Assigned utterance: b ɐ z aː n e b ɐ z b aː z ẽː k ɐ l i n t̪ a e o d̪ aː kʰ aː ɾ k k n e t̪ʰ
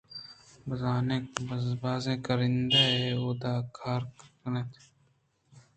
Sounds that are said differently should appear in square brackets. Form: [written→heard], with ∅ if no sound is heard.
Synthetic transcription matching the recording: b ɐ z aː n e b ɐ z b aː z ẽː k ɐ [l→ɾ] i n [t̪→d̪] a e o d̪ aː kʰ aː ɾ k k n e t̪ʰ